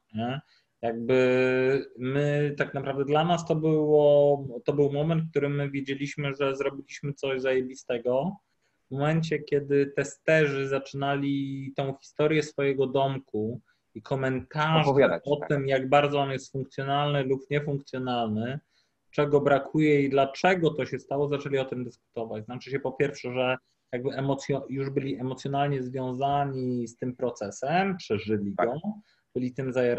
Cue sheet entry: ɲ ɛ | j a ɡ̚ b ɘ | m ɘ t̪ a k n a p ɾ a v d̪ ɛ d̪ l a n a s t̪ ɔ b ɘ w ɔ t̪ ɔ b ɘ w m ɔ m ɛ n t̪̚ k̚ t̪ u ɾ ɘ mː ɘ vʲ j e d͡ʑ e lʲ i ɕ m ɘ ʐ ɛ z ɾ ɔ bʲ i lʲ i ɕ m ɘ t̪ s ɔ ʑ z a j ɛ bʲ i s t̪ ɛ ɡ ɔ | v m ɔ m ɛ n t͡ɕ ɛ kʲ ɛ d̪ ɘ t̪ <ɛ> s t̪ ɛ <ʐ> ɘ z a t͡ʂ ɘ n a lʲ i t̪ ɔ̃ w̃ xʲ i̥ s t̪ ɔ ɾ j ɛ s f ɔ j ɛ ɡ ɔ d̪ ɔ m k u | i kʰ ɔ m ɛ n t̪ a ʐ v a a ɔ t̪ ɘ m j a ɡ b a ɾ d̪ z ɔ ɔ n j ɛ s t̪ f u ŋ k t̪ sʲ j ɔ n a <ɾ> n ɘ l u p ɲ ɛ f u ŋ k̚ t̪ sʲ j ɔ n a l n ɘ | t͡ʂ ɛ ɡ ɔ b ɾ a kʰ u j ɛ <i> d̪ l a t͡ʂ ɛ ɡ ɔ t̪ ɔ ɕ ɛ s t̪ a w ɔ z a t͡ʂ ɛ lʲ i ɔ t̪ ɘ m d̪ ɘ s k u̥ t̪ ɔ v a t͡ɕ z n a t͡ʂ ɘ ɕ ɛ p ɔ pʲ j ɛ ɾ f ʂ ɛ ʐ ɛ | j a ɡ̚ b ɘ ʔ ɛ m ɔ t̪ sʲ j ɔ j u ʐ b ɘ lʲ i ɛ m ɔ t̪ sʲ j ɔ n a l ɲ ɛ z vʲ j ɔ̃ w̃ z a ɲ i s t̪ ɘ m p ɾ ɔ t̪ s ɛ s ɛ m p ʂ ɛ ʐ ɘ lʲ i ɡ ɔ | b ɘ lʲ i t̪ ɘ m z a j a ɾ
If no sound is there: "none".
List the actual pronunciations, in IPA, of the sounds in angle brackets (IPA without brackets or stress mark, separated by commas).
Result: ɛ, ʐ, l, i